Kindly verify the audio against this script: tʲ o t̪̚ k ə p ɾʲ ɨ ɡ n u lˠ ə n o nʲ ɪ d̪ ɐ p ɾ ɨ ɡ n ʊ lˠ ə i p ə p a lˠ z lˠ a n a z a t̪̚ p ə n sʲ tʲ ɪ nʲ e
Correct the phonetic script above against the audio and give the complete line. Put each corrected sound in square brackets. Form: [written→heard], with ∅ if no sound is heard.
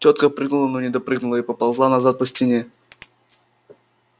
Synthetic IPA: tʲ o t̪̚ k ə p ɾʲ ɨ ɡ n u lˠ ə n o nʲ ɪ d̪ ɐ p ɾ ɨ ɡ n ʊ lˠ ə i p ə p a lˠ z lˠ a n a z a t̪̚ p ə [n→∅] sʲ tʲ ɪ nʲ e